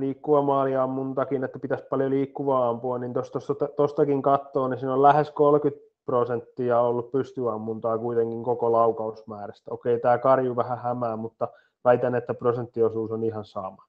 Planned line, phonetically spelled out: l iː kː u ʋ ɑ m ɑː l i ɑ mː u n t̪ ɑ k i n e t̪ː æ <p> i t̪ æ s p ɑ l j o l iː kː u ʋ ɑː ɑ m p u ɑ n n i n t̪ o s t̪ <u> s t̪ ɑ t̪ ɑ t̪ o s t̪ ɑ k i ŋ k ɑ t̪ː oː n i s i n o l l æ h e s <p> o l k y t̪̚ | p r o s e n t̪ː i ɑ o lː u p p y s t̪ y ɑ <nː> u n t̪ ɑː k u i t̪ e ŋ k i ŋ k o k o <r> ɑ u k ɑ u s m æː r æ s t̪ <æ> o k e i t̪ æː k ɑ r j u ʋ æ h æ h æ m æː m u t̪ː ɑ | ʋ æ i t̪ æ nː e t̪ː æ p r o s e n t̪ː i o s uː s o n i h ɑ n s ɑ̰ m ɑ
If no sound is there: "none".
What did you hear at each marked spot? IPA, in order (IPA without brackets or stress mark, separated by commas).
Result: p, o, k, mː, l, æ